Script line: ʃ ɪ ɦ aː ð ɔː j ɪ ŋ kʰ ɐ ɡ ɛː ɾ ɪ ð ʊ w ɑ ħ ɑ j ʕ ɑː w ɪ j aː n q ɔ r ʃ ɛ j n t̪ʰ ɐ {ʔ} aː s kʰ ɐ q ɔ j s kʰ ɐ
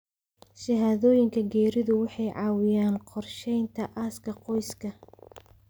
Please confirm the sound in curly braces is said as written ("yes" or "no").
yes